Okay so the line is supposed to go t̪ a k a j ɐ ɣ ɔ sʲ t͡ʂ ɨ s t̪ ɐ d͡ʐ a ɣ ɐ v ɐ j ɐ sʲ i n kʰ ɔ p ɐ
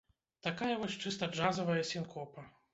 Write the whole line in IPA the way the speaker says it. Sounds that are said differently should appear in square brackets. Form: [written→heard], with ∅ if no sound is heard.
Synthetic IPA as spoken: t̪ a k a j ɐ [ɣ→v] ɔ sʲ t͡ʂ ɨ s t̪ ɐ d͡ʐ a [ɣ→z] ɐ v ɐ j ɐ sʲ i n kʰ ɔ p ɐ

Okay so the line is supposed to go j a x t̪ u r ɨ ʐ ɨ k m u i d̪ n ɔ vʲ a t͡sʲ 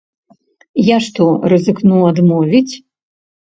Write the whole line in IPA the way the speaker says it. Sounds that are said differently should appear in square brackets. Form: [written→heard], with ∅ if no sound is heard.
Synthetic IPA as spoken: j a [x→ʂ] t̪ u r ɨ [ʐ→z] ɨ k [m→n] u [i→a] d̪ [n→m] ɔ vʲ [a→i] t͡sʲ

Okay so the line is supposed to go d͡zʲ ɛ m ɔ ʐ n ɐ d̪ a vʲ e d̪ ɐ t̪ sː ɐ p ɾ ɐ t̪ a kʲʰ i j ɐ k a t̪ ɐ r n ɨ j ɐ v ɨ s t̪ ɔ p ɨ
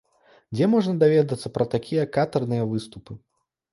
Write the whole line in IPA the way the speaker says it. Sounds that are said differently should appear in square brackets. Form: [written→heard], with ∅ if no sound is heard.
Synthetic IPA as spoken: d͡zʲ ɛ m ɔ ʐ n ɐ d̪ a vʲ [e→ɛ] d̪ ɐ t̪ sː ɐ p ɾ ɐ t̪ a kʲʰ i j ɐ k a t̪ ɐ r n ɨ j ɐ v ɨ s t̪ [ɔ→u] p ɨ

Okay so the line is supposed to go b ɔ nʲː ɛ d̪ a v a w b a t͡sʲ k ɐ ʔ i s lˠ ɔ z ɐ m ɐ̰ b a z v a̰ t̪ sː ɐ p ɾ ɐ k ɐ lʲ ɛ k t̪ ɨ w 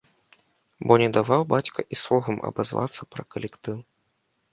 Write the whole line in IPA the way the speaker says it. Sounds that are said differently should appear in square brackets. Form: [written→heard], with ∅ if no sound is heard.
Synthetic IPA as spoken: b ɔ [nʲː→nʲ] ɛ d̪ a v a w b a t͡sʲ k ɐ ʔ i s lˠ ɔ [z→ɣ] ɐ m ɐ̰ b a z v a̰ t̪ sː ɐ p ɾ ɐ k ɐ lʲ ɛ k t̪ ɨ w

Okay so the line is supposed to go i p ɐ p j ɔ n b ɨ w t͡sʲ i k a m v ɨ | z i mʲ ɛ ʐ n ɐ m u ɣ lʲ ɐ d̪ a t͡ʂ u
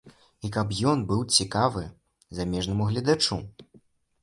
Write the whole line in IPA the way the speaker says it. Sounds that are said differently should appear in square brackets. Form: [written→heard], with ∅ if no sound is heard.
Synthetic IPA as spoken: i [p→k] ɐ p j ɔ n b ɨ w t͡sʲ i k a [m→∅] v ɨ | z [i→a] mʲ ɛ ʐ n ɐ m u ɣ lʲ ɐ d̪ a t͡ʂ u

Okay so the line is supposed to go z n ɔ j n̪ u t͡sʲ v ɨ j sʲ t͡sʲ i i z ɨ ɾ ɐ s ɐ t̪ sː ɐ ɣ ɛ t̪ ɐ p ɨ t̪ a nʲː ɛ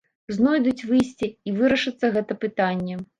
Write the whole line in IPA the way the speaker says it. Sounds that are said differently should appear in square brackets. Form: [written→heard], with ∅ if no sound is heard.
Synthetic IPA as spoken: z n ɔ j [n̪→d̪] u t͡sʲ v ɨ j sʲ t͡sʲ i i [z→v] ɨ ɾ ɐ [s→ʂ] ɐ t̪ sː ɐ ɣ ɛ t̪ ɐ p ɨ t̪ a nʲː ɛ

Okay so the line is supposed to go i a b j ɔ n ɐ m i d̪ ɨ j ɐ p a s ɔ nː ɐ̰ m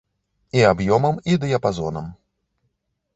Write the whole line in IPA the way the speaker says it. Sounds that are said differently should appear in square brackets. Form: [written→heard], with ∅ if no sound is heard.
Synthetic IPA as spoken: i a b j ɔ [n→m] ɐ m i d̪ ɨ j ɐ p a [s→z] ɔ [nː→n] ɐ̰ m

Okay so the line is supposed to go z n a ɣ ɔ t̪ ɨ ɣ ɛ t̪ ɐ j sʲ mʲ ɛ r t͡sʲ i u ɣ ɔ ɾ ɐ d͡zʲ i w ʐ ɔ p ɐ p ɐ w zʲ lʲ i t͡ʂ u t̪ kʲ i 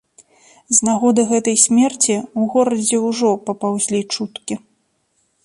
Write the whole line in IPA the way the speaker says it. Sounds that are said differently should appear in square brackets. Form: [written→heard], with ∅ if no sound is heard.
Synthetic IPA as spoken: z n a ɣ ɔ [t̪→d̪] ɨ ɣ ɛ t̪ ɐ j sʲ mʲ ɛ r t͡sʲ i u ɣ ɔ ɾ ɐ d͡zʲ [i→ɛ] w ʐ ɔ p ɐ p [ɐ→a] w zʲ lʲ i t͡ʂ u t̪ kʲ i

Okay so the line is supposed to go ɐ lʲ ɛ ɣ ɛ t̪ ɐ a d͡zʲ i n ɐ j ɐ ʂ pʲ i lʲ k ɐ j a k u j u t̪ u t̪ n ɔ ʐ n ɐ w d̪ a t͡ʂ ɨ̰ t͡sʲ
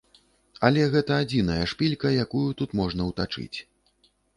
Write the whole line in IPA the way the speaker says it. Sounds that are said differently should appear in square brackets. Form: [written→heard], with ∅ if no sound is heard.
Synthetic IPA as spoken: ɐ lʲ ɛ ɣ ɛ t̪ ɐ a d͡zʲ i n ɐ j ɐ ʂ pʲ i lʲ k ɐ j a k u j u t̪ u t̪ [n→m] ɔ ʐ n ɐ w [d̪→t̪] a t͡ʂ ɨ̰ t͡sʲ

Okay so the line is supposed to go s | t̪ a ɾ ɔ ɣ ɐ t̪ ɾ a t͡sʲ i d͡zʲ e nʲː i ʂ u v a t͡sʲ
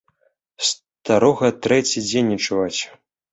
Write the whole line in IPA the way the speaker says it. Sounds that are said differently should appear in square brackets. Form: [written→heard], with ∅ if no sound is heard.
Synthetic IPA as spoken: s | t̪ a ɾ ɔ ɣ ɐ t̪ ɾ [a→ɛ] t͡sʲ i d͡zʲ e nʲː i [ʂ→t͡ʂ] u v a t͡sʲ

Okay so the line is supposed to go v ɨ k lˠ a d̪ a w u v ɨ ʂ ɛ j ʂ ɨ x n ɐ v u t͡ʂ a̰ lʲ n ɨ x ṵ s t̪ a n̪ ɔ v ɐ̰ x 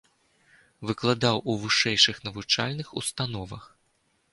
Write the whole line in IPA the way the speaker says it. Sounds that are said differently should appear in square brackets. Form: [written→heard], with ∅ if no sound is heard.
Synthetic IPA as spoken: v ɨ k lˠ a d̪ a w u v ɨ ʂ ɛ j ʂ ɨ x n ɐ v u t͡ʂ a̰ lʲ n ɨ x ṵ s t̪ a n̪ ɔ v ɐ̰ x

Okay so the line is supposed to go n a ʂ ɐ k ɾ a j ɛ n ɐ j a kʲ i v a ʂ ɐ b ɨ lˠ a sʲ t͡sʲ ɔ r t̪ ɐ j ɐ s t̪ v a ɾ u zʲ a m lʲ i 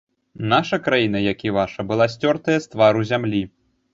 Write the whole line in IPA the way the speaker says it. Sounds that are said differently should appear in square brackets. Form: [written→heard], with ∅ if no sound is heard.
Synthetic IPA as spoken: n a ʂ ɐ k ɾ a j [ɛ→i] n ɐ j a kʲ i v a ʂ ɐ b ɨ lˠ a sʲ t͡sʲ ɔ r t̪ ɐ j ɐ s t̪ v a ɾ u zʲ a m lʲ i

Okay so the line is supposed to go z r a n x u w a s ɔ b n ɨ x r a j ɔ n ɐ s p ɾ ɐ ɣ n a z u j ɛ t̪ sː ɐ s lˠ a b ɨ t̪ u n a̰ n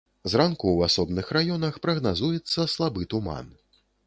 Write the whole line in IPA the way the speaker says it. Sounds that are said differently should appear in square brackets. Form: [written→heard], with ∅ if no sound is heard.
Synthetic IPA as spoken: z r a n [x→k] u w a s ɔ b n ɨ x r a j ɔ n ɐ [s→x] p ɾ ɐ ɣ n a z u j ɛ t̪ sː ɐ s lˠ a b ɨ t̪ u [n→m] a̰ n

